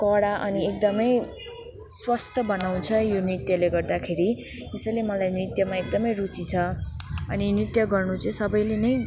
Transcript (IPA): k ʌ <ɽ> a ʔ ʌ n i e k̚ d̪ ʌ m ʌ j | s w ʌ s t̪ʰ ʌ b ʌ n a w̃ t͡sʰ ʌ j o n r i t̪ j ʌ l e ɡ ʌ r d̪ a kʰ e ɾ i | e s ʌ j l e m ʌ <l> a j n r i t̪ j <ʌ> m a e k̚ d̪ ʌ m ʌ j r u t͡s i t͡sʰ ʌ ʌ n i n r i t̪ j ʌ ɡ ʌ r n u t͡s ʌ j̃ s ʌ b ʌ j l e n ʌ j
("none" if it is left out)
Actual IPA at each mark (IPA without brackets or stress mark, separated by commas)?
ɽ, l, ʌ